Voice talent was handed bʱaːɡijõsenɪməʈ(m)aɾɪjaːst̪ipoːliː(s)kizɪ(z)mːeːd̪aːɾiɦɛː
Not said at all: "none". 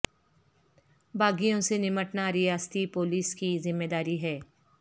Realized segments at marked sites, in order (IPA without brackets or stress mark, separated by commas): n, s, none